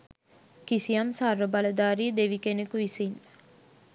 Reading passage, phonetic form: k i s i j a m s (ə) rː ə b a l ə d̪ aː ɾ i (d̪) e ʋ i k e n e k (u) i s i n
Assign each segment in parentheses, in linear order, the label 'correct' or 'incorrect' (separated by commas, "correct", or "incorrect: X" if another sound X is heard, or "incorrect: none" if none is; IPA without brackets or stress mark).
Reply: incorrect: a, correct, correct